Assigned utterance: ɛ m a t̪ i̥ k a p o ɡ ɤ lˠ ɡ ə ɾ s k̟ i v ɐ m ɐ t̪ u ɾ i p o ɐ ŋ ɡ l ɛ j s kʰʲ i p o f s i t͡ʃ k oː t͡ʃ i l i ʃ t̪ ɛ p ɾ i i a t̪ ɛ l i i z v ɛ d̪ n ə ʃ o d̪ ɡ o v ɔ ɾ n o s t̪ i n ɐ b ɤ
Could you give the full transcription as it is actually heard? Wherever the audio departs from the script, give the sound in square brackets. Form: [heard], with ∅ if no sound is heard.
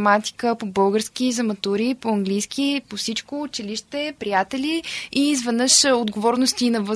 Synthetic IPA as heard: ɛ m a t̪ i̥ k [ə] p o [b] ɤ lˠ ɡ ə ɾ s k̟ i [z] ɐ m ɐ t̪ u ɾ i p o ɐ ŋ ɡ l [i] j s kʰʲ i p o f s i t͡ʃ k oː t͡ʃ i l i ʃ t̪ ɛ p ɾ i [j] a t̪ ɛ l i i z v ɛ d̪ n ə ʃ o d̪ ɡ o v ɔ ɾ n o s t̪ i n ɐ [v] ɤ